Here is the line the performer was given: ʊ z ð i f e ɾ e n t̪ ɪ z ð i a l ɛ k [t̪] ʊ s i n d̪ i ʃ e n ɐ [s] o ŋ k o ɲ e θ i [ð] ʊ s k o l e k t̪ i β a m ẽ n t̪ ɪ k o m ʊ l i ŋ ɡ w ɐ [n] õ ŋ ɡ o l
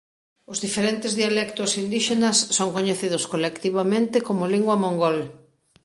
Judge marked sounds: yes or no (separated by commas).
yes, no, yes, no